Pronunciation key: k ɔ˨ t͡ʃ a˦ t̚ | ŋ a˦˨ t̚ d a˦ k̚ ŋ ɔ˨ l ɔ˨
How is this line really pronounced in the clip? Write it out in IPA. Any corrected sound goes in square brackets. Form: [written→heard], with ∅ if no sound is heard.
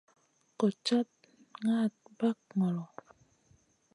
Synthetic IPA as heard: k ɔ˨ t͡ʃ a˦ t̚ | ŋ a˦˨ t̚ [d→b] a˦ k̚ ŋ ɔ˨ l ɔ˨